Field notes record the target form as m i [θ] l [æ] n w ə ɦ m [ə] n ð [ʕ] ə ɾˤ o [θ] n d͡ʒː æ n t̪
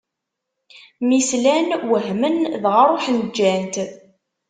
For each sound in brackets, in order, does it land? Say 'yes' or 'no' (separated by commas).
no, yes, yes, no, no